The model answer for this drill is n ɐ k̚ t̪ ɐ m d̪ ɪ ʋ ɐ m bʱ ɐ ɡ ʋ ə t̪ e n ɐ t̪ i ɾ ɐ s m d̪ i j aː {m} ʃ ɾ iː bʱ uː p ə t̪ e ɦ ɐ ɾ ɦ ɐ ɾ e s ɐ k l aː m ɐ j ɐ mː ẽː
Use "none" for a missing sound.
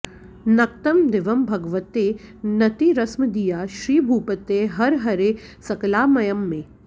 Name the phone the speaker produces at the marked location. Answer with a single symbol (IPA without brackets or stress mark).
none